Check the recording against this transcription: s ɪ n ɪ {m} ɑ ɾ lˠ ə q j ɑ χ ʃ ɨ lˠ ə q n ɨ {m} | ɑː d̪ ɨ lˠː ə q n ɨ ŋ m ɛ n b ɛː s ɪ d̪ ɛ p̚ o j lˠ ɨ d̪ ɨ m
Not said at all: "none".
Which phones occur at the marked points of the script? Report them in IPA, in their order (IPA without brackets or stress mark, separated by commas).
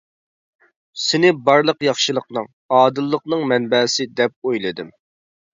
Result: b, ŋ